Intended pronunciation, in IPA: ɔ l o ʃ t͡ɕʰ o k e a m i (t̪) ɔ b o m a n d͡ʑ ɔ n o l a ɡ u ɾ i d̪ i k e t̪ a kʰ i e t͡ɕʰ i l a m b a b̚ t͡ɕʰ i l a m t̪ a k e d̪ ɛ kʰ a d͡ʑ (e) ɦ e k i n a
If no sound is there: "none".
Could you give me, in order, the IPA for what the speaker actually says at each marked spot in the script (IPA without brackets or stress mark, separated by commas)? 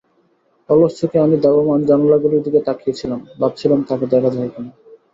d̪, a